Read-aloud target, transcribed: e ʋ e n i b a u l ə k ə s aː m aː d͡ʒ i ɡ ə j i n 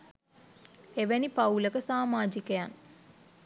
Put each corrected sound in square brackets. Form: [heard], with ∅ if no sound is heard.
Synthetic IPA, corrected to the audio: e ʋ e n i [p] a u l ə k ə s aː m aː d͡ʒ i [k] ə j [a] n